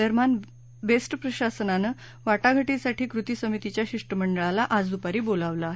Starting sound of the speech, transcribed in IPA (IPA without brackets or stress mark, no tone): ə